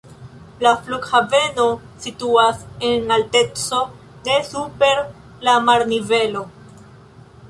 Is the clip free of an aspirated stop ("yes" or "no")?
yes